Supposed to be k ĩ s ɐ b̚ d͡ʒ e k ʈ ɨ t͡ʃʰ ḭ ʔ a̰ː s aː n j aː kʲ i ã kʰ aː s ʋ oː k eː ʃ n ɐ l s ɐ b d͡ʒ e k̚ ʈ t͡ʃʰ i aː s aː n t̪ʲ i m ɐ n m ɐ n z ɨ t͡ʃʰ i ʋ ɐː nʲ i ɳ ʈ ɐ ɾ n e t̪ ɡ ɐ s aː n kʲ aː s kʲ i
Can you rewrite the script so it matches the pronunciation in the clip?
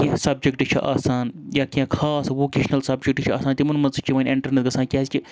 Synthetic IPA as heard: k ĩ s ɐ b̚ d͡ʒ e k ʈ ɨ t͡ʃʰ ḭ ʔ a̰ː s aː n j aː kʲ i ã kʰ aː s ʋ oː k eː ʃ n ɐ l s ɐ b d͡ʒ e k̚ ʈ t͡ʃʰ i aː s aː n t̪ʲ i m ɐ n m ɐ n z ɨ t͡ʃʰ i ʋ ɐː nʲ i ɳ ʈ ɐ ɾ n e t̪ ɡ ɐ s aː n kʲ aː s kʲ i